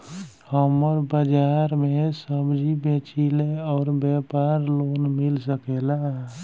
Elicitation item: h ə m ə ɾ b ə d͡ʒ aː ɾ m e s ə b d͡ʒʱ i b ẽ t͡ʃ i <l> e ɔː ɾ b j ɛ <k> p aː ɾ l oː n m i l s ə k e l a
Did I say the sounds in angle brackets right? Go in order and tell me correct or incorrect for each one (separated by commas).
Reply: correct, incorrect